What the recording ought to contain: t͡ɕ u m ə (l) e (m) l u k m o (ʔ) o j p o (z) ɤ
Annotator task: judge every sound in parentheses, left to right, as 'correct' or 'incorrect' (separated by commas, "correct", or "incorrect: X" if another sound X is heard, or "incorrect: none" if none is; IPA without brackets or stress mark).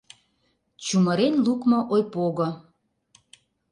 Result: incorrect: ɾ, incorrect: n, correct, incorrect: ɣ